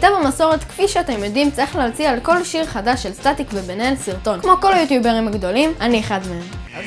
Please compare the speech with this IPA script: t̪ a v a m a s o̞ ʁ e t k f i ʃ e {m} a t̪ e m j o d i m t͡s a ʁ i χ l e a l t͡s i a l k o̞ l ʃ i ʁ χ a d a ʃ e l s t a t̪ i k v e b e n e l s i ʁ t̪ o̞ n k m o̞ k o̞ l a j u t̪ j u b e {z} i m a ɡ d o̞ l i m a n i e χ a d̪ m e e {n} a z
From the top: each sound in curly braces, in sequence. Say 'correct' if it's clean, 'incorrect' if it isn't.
incorrect: none, incorrect: ʁ, incorrect: m

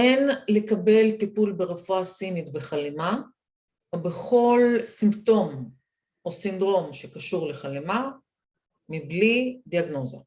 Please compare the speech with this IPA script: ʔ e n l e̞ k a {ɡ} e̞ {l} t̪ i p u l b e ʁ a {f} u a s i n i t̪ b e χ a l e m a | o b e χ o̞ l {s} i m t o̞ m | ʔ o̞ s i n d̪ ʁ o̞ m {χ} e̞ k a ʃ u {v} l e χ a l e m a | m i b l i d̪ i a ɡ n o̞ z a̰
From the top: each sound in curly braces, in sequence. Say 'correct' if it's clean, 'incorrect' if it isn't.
incorrect: b, correct, correct, correct, incorrect: ʃ, incorrect: ʁ

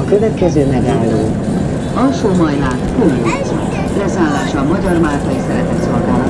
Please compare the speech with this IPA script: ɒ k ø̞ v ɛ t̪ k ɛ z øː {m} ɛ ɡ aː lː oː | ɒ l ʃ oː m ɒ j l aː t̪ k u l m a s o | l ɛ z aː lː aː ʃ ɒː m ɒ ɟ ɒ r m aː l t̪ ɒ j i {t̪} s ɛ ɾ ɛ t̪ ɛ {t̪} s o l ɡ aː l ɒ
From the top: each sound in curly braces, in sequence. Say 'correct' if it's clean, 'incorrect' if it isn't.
correct, incorrect: none, correct

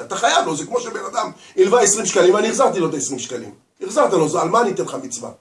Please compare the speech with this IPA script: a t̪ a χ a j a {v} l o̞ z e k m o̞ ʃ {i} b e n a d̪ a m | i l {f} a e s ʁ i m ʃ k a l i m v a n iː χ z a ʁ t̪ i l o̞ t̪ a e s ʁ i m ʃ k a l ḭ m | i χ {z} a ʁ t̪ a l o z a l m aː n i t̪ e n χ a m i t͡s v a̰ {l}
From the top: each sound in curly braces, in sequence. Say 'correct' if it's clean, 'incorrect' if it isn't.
correct, incorrect: e, incorrect: v, correct, incorrect: none

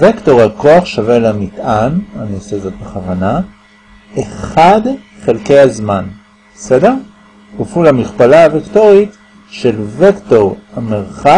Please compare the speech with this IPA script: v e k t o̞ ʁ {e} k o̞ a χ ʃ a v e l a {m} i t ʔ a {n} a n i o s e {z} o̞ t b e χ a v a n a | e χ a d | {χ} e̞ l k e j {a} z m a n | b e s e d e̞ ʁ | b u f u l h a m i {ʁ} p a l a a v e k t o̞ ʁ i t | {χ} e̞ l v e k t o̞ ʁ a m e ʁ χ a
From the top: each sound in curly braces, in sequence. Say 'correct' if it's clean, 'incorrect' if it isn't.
incorrect: a, correct, correct, correct, correct, correct, incorrect: χ, incorrect: ʃ

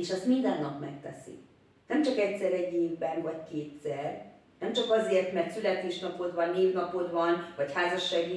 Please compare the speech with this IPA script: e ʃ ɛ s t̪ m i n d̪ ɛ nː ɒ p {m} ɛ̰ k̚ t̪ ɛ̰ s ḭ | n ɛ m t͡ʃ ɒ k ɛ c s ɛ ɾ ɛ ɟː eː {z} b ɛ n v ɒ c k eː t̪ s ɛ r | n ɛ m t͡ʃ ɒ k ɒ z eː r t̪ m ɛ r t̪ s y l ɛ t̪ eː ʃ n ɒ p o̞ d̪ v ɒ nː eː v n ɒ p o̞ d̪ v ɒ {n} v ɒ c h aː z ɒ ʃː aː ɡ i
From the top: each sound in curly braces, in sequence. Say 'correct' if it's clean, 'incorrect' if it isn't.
correct, incorrect: v, correct

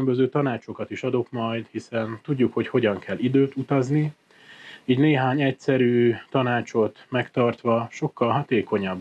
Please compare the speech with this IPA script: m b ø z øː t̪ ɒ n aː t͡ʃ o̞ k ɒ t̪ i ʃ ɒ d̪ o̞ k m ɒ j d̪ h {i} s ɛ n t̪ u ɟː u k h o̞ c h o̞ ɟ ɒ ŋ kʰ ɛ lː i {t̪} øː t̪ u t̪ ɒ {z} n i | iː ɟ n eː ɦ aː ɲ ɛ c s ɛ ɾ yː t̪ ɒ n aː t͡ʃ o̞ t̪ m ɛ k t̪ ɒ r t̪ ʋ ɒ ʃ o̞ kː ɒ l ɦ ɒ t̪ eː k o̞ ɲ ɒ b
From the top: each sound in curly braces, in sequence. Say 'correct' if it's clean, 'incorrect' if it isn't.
correct, incorrect: d̪, correct

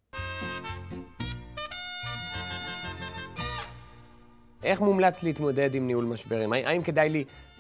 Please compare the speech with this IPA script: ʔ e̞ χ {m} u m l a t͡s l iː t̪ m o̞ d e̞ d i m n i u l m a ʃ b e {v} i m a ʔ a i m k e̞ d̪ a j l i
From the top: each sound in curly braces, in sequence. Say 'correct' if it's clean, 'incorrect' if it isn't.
correct, incorrect: ʁ

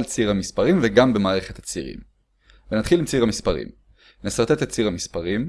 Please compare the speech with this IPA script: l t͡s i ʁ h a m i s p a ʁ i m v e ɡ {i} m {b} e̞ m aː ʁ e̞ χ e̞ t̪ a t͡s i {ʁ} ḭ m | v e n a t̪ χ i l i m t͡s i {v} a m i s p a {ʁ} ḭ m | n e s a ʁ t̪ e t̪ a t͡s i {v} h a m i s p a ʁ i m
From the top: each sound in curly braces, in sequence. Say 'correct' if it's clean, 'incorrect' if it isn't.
incorrect: a, correct, correct, incorrect: ʁ, correct, incorrect: ʁ

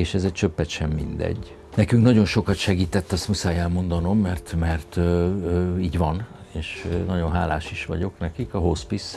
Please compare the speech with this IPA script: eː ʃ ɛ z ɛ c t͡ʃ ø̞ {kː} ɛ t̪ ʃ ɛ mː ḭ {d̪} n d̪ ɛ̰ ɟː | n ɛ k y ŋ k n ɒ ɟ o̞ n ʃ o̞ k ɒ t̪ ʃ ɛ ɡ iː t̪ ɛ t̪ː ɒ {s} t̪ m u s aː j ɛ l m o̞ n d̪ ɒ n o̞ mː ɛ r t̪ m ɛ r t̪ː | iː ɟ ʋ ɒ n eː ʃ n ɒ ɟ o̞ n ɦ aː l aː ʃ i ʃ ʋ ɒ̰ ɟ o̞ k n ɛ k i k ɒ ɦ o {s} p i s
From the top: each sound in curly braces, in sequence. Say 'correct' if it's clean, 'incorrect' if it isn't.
incorrect: pː, incorrect: none, correct, correct

